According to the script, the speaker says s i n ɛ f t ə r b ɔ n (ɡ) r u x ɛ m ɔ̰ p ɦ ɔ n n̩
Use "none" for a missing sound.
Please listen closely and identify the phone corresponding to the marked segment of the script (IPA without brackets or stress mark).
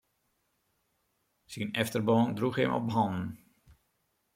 d